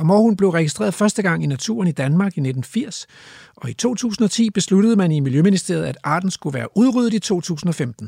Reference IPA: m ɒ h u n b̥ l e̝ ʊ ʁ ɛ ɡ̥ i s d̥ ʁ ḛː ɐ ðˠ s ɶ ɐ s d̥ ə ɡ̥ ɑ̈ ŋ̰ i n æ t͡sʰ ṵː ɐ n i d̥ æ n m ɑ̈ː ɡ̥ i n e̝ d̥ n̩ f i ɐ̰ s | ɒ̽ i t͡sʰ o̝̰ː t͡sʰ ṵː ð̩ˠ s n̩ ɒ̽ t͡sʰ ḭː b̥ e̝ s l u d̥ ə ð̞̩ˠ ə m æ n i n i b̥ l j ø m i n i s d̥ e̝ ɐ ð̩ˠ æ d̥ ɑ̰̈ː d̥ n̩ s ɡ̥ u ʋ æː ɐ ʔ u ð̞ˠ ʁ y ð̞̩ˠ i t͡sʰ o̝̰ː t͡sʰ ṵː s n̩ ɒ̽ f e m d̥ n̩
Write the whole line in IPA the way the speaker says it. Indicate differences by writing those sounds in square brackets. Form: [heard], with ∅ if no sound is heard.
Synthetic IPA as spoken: m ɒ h u n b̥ l e̝ ʊ ʁ ɛ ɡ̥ i s d̥ ʁ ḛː ɐ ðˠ [f] ɶ ɐ s d̥ ə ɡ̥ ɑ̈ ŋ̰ i n æ t͡sʰ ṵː ɐ n i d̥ æ n m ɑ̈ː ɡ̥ i n e̝ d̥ n̩ f i ɐ̰ s | ɒ̽ i t͡sʰ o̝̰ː t͡sʰ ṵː [∅] s n̩ ɒ̽ t͡sʰ ḭː b̥ e̝ s l u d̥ ə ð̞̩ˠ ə m æ n i [m] i [∅] l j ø m i n i s d̥ e̝ ɐ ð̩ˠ æ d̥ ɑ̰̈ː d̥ n̩ s ɡ̥ u ʋ æː ɐ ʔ u ð̞ˠ ʁ y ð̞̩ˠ i t͡sʰ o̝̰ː t͡sʰ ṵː s n̩ ɒ̽ f e m d̥ n̩